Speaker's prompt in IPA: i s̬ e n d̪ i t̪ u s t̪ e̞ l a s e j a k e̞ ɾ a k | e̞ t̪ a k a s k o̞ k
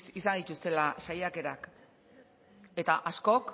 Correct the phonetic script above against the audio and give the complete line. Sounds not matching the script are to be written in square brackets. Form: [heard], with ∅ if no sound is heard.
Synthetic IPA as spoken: i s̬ [a] n d̪ i t̪ u s t̪ e̞ l a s [a] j a k e̞ ɾ a k | e̞ t̪ a [ʔ] a s k o̞ k